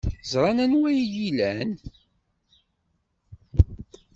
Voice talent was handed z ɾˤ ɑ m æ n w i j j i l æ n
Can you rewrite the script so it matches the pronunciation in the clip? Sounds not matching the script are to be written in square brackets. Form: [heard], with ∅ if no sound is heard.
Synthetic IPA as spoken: z ɾˤ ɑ [n] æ n w [æ] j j i l æ n